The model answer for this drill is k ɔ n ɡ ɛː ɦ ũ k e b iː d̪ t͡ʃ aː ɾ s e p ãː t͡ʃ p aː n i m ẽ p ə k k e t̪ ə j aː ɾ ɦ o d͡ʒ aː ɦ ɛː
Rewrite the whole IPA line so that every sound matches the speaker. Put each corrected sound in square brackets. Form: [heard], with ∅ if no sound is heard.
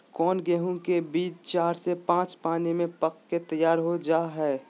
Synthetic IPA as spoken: k [ɔː] n ɡ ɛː ɦ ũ k e b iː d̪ t͡ʃ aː ɾ s e p ãː t͡ʃ p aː n i m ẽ p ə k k e t̪ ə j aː ɾ ɦ o d͡ʒ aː ɦ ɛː